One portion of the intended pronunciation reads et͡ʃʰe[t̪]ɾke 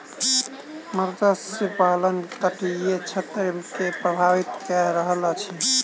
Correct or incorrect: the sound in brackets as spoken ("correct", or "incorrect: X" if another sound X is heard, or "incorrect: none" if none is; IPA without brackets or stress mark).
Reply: correct